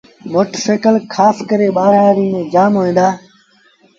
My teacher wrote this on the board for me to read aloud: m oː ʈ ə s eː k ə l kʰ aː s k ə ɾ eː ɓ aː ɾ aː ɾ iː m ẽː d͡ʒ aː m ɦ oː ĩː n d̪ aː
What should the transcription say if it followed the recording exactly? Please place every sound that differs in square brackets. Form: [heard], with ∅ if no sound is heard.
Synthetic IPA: m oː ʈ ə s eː k ə l kʰ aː s k ə ɾ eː ɓ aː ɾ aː ɾ iː m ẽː d͡ʒ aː m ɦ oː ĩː n d̪ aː